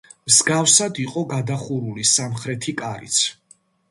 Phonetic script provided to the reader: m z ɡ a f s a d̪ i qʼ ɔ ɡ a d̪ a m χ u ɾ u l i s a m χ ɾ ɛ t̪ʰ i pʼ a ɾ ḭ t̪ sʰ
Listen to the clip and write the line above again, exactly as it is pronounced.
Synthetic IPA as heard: m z ɡ a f s a d̪ i qʼ ɔ ɡ a d̪ a χ u ɾ u l i s a m χ ɾ ɛ t̪ʰ i kʼ a ɾ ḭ t̪ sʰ